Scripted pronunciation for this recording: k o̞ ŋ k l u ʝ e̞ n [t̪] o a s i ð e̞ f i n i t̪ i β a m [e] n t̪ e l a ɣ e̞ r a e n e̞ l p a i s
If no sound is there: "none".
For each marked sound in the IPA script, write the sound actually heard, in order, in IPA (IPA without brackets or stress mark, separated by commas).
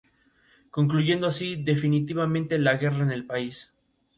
d̪, ẽ